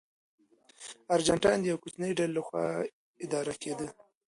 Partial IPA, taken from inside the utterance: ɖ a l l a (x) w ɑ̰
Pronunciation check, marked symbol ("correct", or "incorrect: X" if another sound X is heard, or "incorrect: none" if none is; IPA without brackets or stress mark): correct